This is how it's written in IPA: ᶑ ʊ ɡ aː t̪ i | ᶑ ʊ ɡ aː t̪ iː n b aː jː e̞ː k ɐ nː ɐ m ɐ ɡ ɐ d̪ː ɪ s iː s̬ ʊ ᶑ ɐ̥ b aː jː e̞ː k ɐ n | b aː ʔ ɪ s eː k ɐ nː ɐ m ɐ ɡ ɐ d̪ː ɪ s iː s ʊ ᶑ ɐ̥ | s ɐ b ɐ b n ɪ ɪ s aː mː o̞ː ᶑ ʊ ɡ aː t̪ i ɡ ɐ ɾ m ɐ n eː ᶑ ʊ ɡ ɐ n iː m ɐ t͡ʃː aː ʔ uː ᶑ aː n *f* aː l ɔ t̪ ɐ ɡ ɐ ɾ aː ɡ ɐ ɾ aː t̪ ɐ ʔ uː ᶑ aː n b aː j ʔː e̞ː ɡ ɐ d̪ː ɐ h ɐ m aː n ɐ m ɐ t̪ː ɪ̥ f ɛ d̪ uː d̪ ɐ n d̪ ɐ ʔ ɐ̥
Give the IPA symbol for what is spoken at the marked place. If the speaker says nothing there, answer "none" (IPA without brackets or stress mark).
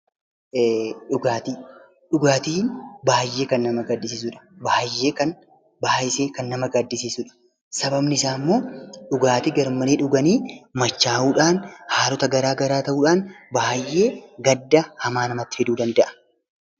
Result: h